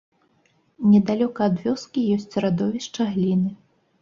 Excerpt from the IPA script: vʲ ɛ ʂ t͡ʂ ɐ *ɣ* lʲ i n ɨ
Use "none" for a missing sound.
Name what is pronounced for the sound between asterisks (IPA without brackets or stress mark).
ɣ